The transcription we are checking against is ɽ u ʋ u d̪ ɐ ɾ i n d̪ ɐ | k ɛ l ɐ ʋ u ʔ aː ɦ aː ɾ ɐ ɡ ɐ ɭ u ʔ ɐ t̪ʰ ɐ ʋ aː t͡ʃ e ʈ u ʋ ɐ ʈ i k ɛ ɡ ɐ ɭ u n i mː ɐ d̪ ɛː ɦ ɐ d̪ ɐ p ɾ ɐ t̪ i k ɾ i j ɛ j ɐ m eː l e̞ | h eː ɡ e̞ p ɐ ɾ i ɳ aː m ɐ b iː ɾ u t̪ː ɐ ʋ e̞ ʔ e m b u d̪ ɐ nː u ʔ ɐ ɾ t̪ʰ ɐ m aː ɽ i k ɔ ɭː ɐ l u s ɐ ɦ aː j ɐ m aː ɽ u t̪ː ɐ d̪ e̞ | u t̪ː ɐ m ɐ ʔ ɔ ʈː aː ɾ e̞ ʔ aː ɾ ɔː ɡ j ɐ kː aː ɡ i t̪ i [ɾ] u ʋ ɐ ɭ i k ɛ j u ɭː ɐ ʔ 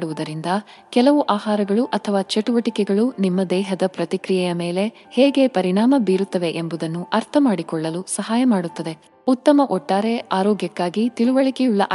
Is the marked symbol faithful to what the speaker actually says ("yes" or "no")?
no